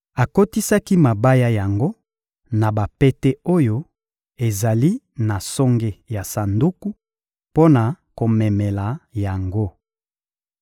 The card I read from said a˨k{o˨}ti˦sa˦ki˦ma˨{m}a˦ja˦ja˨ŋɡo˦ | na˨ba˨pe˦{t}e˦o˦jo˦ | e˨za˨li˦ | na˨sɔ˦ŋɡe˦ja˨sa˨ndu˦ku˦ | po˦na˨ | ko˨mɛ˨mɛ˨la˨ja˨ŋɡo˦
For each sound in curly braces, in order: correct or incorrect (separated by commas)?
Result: incorrect, incorrect, correct